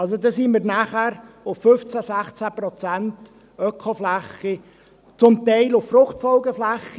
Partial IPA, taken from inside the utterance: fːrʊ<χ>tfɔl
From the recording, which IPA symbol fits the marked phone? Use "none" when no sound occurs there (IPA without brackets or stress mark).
χ